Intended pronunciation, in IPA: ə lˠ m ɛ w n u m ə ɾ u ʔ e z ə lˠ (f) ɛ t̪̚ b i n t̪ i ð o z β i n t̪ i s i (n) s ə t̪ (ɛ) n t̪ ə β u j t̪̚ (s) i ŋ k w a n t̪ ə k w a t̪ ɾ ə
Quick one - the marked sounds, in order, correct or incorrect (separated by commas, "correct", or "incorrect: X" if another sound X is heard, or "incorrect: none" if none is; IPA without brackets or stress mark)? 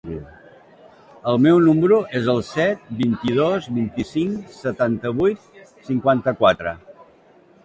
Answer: incorrect: s, incorrect: ŋ, incorrect: a, correct